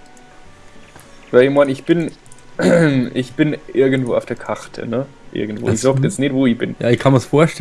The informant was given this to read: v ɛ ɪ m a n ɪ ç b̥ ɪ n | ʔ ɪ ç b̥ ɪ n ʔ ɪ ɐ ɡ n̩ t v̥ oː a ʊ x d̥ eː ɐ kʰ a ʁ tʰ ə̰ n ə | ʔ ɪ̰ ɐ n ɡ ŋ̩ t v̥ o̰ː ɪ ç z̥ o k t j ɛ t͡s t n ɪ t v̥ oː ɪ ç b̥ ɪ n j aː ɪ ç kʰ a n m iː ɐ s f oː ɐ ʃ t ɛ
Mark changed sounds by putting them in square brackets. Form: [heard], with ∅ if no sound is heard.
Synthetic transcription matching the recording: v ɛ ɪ m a n ɪ ç b̥ ɪ n | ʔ ɪ ç b̥ ɪ n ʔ ɪ ɐ ɡ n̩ t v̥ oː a ʊ [f] d̥ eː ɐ kʰ a ʁ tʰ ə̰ n ə | ʔ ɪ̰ ɐ [∅] ɡ ŋ̩ t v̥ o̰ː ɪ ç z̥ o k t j ɛ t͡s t n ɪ t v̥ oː ɪ ç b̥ ɪ n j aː ɪ ç kʰ a n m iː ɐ s f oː ɐ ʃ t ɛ